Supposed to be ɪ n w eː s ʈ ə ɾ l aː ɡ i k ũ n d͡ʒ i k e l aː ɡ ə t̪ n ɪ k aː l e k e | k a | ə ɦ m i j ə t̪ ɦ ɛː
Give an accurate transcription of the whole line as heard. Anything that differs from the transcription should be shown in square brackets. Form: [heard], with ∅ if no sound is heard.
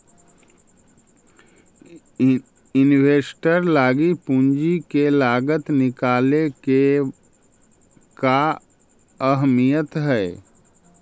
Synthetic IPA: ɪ n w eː s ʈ ə ɾ l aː ɡ i [p] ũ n d͡ʒ i k e l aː ɡ ə t̪ n ɪ k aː l e k e | k a | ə ɦ m i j ə t̪ ɦ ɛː